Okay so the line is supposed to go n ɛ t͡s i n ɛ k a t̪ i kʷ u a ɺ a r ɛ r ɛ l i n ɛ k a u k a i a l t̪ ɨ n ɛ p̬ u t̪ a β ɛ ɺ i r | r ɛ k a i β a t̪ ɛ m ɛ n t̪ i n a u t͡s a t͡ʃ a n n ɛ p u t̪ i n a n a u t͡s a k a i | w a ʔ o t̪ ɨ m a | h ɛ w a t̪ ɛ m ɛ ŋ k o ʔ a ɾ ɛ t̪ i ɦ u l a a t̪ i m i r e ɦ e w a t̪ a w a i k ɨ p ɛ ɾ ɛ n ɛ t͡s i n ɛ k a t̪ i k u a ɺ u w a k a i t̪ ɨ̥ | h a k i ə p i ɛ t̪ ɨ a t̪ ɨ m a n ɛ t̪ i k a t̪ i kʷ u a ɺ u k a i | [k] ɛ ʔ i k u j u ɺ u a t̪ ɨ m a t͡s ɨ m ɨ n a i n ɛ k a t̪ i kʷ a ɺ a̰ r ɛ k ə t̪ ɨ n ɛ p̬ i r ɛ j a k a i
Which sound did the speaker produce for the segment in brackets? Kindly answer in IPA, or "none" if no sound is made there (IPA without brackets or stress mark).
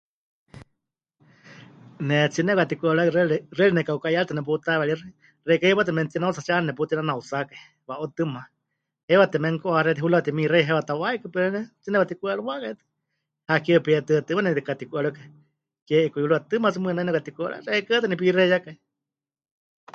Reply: k